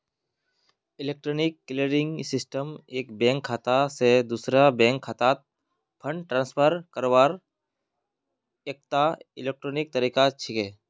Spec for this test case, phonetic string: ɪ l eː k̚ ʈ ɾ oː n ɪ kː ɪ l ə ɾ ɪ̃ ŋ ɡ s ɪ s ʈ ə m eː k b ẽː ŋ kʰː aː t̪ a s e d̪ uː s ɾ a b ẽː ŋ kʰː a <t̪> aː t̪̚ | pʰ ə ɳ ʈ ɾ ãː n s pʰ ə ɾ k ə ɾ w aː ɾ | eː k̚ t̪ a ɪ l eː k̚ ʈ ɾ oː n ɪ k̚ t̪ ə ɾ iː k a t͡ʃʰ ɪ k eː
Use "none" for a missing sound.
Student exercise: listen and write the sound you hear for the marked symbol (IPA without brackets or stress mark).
t̪